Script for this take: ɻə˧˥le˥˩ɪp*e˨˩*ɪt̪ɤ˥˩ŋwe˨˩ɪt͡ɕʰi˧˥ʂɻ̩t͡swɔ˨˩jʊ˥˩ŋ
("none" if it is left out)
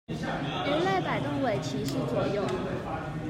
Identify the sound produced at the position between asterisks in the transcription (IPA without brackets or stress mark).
a˨˩